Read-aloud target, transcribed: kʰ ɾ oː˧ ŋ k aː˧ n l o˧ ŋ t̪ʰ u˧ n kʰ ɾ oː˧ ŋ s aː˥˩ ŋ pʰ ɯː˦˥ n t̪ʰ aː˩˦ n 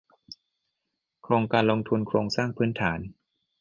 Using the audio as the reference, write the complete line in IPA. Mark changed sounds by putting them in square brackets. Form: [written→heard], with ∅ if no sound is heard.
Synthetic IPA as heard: kʰ ɾ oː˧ ŋ k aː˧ n l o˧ ŋ t̪ʰ u˧ n kʰ ɾ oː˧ ŋ s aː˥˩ ŋ pʰ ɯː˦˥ n t̪ʰ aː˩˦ n